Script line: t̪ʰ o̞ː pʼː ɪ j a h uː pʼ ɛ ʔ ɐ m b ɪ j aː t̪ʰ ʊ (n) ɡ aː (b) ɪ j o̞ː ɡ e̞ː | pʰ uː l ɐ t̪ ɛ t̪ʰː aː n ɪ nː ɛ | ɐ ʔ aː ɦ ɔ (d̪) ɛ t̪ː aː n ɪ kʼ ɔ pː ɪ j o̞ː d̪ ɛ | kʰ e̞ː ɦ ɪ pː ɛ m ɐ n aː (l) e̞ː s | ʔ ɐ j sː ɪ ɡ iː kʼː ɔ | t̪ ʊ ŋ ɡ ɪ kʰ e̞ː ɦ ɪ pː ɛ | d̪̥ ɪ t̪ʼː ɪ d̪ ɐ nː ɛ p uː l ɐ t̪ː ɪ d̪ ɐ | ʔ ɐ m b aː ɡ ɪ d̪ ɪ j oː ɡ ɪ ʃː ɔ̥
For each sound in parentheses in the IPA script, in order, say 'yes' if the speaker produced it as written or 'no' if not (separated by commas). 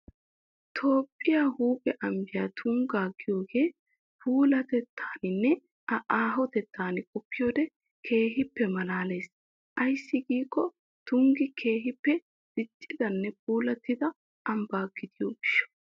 no, no, no, yes